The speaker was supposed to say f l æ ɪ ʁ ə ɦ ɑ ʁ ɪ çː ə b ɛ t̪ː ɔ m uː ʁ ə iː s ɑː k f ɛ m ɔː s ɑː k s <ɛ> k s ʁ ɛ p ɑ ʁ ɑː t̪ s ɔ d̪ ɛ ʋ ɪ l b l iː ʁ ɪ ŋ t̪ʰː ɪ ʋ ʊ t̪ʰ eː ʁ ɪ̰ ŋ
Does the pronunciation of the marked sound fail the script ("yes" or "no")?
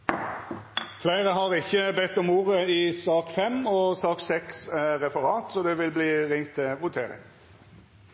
no